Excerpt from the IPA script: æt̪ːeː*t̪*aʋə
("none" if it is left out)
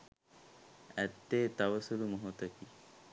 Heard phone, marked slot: t̪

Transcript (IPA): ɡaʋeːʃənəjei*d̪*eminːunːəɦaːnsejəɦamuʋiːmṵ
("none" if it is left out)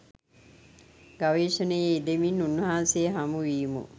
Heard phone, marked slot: d̪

